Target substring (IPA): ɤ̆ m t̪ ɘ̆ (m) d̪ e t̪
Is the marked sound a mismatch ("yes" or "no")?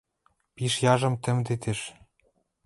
no